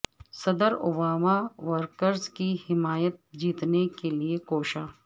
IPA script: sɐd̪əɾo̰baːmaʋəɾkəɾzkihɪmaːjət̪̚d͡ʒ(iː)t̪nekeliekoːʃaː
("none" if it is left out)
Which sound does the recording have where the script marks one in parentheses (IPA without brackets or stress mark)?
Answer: iː